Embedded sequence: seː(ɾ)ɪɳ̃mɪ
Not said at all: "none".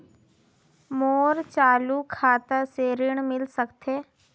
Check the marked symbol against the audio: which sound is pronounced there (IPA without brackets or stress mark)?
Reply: ɾ